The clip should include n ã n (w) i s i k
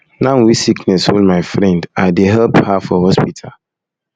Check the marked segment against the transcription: correct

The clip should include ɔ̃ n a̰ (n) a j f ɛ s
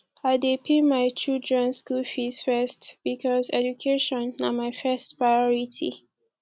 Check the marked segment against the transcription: incorrect: m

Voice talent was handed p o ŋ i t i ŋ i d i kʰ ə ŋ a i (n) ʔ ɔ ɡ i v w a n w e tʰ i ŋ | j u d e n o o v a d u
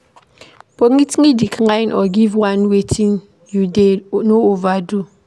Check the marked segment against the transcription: correct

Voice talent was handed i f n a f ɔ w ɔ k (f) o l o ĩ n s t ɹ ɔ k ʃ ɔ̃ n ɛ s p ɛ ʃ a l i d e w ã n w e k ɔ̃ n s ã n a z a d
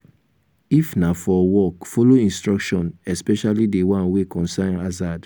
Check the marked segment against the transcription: correct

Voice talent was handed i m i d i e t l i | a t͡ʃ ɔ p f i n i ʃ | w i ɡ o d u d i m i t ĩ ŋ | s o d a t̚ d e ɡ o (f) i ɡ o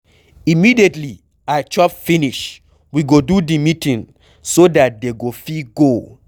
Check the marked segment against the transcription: correct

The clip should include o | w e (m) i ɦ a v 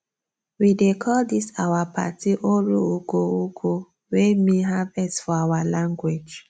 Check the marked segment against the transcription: correct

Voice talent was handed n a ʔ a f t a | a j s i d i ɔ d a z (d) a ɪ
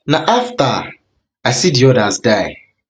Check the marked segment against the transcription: correct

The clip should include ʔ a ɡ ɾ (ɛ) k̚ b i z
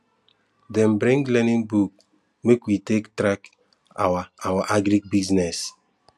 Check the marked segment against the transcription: incorrect: i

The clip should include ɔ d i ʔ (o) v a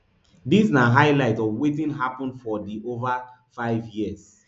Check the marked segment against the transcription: correct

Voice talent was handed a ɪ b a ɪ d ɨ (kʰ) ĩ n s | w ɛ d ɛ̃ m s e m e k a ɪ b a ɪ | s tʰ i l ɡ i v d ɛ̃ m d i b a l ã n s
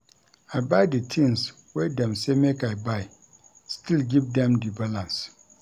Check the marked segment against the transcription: incorrect: tʰ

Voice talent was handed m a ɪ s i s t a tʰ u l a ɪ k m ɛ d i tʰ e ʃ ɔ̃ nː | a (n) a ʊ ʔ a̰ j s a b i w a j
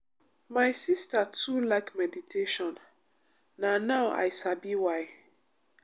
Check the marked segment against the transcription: correct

